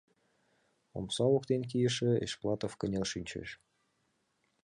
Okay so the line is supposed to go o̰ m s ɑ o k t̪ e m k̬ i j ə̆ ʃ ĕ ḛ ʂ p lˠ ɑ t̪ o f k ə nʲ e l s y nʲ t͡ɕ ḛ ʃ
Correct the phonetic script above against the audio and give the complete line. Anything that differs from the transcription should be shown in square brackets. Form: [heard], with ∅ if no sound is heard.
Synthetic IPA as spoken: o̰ m s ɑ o k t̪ e [n] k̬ i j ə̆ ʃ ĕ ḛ [ʃ] p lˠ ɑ t̪ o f k ə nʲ e l [ʃ] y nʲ t͡ɕ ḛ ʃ